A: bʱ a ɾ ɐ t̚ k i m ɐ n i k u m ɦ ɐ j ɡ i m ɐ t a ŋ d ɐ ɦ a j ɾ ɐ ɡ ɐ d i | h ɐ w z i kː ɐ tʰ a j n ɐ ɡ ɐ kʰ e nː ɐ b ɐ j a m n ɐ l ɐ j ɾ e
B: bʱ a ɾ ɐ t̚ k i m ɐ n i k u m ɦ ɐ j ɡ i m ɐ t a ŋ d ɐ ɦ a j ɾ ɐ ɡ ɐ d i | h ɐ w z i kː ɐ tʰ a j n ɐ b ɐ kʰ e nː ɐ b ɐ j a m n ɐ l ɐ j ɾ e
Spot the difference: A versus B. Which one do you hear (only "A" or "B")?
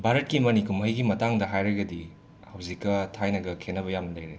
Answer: A